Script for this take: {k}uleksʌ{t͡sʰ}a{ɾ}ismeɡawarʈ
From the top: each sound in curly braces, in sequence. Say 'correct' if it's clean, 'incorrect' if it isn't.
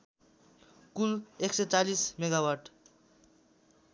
correct, incorrect, incorrect

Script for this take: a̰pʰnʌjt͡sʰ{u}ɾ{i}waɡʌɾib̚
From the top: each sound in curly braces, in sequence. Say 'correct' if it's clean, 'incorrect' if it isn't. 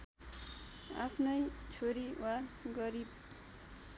incorrect, correct

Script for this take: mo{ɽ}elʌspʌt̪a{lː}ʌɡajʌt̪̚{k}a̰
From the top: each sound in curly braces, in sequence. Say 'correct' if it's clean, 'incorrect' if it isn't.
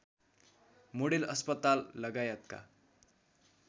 correct, correct, correct

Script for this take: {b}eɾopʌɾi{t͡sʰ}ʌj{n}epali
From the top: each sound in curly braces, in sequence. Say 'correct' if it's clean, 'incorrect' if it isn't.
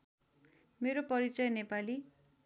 incorrect, incorrect, correct

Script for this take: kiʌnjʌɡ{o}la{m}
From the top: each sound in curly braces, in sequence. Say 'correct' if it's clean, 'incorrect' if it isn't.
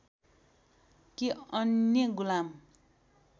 incorrect, correct

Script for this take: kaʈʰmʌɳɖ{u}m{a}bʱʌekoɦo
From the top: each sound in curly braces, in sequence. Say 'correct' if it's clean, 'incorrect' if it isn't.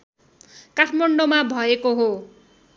incorrect, correct

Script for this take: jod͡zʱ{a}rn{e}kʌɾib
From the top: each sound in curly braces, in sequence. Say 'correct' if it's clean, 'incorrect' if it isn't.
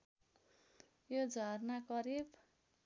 incorrect, incorrect

